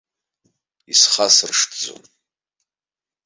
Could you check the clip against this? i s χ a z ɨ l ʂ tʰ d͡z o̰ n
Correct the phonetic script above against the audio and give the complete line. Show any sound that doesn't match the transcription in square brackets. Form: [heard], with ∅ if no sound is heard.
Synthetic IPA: i s χ a [s] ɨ [r] ʂ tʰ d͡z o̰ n